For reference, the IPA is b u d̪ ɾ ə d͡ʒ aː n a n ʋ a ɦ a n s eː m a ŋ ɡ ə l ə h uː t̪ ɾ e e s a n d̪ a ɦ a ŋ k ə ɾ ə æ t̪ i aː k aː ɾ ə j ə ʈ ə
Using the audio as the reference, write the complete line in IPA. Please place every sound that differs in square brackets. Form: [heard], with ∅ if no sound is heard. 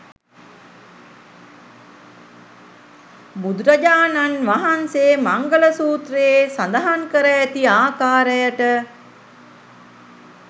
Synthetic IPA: b u d̪ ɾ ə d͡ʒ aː n a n ʋ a ɦ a n s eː m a ŋ ɡ ə l ə [s] uː t̪ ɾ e e s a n d̪ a ɦ a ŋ k ə ɾ ə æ t̪ i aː k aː ɾ ə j ə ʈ ə